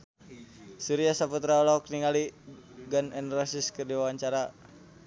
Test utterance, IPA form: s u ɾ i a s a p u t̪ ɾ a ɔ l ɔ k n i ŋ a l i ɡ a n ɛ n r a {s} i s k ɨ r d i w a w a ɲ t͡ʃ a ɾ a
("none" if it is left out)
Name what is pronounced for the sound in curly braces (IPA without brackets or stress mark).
s